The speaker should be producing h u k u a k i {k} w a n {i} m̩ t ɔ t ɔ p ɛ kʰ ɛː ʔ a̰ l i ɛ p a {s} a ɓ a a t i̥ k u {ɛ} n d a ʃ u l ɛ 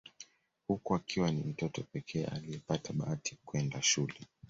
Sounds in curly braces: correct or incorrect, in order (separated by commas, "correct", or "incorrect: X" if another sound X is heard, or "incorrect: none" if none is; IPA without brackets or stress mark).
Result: incorrect: none, correct, incorrect: t, correct